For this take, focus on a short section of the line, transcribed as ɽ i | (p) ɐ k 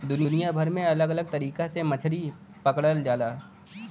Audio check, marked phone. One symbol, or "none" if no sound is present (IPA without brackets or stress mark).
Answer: p